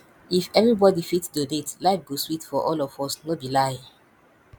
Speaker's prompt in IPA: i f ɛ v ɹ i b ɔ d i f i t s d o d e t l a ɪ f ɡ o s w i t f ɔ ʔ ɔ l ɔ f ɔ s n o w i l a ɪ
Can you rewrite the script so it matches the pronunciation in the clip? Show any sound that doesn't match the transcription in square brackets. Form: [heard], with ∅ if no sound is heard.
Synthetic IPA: i f ɛ v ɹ i b ɔ d i f i t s d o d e t l a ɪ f ɡ o s w i t f ɔ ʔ ɔ l ɔ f ɔ s n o [b] i l a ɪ